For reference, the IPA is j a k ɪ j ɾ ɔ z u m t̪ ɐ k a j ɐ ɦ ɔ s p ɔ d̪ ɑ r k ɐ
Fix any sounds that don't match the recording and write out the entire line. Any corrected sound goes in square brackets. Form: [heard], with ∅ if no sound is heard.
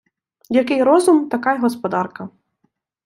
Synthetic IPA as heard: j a k ɪ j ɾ ɔ z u m t̪ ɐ k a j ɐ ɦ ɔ s p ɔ d̪ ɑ r k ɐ